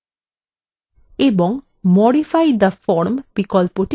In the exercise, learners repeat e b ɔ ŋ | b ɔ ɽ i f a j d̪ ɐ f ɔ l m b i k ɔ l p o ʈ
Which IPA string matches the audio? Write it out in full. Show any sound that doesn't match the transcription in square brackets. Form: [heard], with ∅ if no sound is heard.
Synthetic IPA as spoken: e b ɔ ŋ | [m] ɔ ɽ i f a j d̪ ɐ f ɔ [ɾ] m b i k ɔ l p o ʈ